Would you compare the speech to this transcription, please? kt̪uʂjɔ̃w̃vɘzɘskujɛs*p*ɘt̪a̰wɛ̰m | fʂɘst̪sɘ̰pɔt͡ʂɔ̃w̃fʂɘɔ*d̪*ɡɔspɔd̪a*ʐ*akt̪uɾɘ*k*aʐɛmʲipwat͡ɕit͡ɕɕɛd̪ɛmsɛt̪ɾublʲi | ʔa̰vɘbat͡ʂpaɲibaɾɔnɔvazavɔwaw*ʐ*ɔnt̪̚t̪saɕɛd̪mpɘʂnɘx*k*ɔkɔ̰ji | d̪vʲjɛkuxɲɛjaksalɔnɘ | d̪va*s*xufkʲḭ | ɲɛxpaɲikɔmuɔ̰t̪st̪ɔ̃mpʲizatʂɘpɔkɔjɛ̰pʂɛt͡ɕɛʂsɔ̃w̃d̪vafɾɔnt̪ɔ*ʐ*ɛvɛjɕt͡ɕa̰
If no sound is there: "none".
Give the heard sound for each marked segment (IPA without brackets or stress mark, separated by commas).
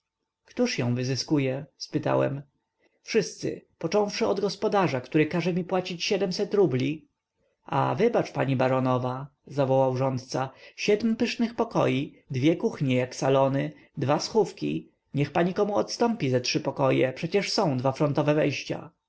p, d̪, ʐ, k, ʐ, p, s, v